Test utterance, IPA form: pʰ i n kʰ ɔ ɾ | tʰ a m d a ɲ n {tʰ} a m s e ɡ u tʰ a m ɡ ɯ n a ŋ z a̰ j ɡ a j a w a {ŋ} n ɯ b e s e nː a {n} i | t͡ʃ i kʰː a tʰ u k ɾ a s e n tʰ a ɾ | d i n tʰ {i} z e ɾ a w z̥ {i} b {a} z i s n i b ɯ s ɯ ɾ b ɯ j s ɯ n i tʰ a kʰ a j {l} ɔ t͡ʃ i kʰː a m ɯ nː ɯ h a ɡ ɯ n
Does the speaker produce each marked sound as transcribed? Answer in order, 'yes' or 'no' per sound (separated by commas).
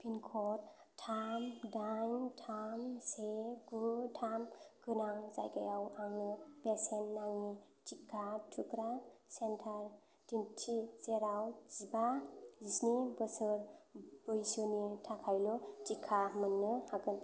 yes, yes, no, yes, yes, yes, yes